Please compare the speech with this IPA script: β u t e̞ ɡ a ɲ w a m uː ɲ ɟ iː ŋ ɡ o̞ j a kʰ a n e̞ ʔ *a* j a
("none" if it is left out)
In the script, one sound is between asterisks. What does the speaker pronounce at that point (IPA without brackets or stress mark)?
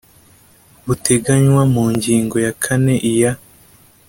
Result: i